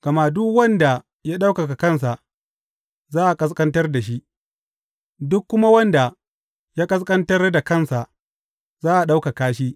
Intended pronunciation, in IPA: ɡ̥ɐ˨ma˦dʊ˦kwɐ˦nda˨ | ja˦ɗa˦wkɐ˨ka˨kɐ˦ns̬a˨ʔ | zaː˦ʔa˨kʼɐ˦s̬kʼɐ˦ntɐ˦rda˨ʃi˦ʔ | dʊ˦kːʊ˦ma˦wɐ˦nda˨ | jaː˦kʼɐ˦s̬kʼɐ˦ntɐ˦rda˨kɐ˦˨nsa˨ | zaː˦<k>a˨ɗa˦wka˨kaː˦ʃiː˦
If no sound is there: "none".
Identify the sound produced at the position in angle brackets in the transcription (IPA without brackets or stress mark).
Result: ʔ